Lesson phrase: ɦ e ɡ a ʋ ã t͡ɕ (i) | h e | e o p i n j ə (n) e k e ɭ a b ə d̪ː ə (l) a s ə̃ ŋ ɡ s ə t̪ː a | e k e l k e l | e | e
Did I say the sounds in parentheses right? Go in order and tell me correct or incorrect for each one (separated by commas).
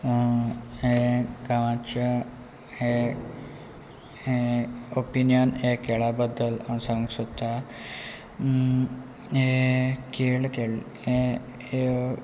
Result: incorrect, correct, correct